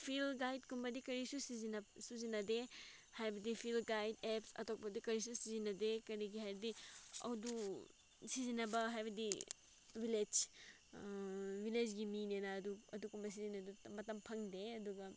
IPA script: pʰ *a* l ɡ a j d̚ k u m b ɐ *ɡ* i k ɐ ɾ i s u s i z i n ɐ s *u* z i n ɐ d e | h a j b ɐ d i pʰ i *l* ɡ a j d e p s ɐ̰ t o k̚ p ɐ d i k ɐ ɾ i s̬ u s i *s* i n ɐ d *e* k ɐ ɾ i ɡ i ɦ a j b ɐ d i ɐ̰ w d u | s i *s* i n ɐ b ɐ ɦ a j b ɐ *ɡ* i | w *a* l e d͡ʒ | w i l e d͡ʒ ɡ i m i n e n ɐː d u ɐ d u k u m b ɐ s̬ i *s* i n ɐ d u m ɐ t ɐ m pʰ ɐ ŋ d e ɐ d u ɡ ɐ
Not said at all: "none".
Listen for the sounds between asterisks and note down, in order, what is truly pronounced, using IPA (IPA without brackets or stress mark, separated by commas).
i, d, u, l, z, e, z, d, i, z